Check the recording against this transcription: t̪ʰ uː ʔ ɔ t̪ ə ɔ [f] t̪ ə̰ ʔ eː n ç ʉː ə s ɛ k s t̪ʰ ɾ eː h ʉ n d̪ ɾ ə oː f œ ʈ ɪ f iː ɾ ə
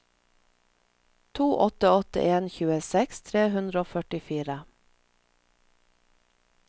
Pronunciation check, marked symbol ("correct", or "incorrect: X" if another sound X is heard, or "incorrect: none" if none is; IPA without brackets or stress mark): incorrect: none